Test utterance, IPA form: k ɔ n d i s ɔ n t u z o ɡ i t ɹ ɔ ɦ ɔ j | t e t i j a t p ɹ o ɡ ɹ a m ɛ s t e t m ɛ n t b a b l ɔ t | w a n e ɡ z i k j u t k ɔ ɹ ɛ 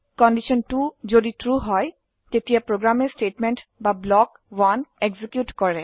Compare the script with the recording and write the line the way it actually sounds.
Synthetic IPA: k ɔ n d i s ɔ n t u z o d i t ɹ u ɦ ɔ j | t e t i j a p ɹ o ɡ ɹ a m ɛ s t e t m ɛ n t b a b l ɔ k | w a n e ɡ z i k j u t k ɔ ɹ ɛ

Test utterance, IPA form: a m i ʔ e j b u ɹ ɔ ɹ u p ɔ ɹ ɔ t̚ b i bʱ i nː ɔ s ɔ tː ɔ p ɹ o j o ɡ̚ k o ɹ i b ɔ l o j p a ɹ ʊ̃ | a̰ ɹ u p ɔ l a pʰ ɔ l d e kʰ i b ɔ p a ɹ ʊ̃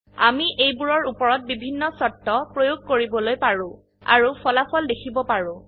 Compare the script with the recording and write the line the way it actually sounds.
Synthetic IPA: a m i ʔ e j b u ɹ ɔ ɹ u p ɔ ɹ ɔ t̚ b i bʱ i nː ɔ s ɔ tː ɔ p ɹ o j o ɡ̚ k o ɹ i b ɔ l o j p a ɹ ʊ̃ | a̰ ɹ u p ɔ l a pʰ ɔ l d e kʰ i b ɔ p a ɹ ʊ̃

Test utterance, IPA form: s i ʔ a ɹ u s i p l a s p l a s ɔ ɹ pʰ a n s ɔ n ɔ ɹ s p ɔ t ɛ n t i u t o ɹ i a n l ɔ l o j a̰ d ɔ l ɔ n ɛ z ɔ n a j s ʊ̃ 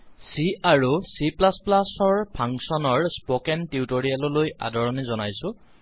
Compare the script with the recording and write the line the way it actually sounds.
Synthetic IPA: s i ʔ a ɹ u s i p l a s p l a s ɔ ɹ pʰ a ŋ s ɔ n ɔ ɹ s p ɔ k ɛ n t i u t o ɹ i a l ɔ l o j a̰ d ɔ ɹ ɔ n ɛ z ɔ n a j s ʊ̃

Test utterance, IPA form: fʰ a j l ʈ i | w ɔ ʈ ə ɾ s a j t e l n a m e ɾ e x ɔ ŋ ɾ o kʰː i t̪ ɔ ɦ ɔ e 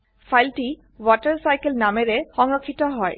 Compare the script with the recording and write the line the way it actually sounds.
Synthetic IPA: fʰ a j l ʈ i | w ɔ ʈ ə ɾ s a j k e l n a m e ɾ e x ɔ ŋ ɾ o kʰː i t̪ ɔ ɦ ɔ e

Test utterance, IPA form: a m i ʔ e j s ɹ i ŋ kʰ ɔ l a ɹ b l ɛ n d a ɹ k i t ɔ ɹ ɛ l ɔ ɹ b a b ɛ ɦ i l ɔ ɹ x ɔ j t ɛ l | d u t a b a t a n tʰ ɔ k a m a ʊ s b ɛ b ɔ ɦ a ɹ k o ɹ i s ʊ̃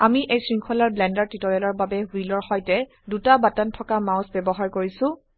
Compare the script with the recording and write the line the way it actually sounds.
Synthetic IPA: a m i ʔ e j s ɹ i ŋ kʰ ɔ l a ɹ b l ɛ n d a ɹ t i t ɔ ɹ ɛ l ɔ ɹ b a b ɛ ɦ i l ɔ ɹ x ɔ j t ɛ | d u t a b a t a n tʰ ɔ k a m a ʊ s b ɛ b ɔ ɦ a ɹ k o ɹ i s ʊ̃

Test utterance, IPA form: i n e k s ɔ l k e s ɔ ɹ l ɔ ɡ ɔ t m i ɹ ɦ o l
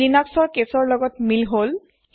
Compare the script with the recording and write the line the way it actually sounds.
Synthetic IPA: i n a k s ɔ ɹ k e s ɔ ɹ l ɔ ɡ ɔ t m i l ɦ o l

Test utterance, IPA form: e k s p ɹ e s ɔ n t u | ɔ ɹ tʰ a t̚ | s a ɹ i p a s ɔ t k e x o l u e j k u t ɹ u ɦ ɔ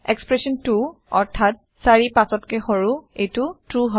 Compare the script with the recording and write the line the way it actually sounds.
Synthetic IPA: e k s p ɹ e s ɔ n t u | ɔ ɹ tʰ a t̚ | s a ɹ i p a s ɔ t k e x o ɹ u e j t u t ɹ u ɦ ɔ

